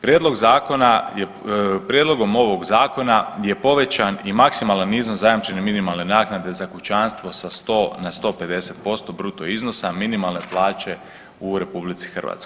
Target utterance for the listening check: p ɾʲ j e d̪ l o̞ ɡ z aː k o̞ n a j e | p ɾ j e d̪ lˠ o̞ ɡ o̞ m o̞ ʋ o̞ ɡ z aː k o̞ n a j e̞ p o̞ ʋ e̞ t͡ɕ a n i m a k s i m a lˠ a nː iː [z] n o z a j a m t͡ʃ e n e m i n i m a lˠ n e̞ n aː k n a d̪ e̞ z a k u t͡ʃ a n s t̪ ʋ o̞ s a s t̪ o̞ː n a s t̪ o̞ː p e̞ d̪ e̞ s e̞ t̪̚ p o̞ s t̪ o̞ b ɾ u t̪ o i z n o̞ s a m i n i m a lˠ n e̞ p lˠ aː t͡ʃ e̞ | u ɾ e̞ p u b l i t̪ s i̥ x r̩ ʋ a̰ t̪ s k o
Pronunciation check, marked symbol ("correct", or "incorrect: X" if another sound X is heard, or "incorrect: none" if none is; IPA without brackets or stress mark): correct